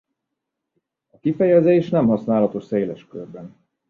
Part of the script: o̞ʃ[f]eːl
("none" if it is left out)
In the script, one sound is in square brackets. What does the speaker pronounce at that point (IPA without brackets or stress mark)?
s